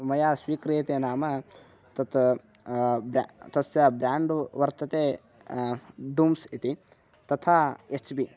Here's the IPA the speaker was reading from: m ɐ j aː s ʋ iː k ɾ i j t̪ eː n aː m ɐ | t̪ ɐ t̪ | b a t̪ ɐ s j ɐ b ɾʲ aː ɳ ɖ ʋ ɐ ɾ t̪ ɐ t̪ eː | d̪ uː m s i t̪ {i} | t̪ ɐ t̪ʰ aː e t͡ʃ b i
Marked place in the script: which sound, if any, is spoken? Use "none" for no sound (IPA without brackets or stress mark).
i